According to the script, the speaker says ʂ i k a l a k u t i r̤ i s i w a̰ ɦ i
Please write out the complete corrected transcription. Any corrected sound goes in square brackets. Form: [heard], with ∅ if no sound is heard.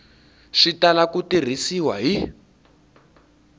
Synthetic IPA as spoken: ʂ i [t] a l a k u t i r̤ i s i w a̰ ɦ i

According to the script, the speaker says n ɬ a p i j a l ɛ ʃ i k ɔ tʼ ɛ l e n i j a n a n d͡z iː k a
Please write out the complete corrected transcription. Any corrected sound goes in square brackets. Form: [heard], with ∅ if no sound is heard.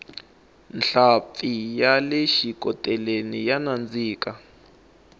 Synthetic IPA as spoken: n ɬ a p i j a l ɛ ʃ i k ɔ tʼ ɛ l e n i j a n a n d͡z iː k a

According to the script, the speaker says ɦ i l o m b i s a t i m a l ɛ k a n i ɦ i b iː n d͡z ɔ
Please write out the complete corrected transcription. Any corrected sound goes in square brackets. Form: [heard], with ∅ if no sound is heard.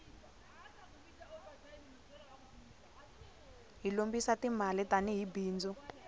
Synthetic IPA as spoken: ɦ i l o m b i s a t i m a l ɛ [t] a n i ɦ i b iː n d͡z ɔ

